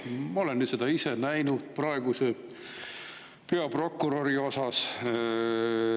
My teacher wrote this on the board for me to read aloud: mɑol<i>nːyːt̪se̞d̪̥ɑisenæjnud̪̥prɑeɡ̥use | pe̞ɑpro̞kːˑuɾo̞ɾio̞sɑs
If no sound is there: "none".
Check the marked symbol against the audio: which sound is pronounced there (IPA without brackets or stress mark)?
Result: e